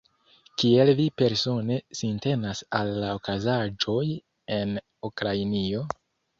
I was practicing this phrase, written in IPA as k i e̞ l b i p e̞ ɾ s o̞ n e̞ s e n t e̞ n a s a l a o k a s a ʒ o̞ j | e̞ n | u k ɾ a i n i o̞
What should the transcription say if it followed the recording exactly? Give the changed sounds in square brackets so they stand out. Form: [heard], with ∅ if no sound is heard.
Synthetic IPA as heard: k i e̞ l [v] i p e̞ ɾ s o̞ n e̞ s [i] n t e̞ n a s a [lː] a o k a [z] a [d͡ʒ] o̞ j | e̞ n | u k ɾ a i n i o̞